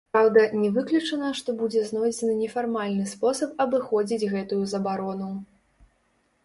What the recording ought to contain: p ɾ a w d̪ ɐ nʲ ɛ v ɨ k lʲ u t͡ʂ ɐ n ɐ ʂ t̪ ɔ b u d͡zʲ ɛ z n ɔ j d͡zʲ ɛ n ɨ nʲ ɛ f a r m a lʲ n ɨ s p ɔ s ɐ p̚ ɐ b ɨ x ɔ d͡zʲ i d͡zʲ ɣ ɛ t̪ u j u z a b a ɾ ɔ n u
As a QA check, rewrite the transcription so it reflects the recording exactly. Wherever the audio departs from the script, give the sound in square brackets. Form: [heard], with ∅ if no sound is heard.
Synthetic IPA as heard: p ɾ a w d̪ ɐ nʲ ɛ v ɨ k lʲ u t͡ʂ ɐ n ɐ ʂ t̪ ɔ b u d͡zʲ ɛ z n ɔ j d͡zʲ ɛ n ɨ nʲ ɛ f a r m a lʲ n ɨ s p ɔ s ɐ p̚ ɐ b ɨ x ɔ d͡zʲ i d͡zʲ ɣ ɛ t̪ u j u z [ɐ] b a ɾ ɔ n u